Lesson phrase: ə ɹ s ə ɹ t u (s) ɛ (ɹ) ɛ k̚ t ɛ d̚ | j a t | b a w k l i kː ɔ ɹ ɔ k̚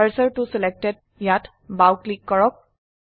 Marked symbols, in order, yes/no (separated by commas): yes, no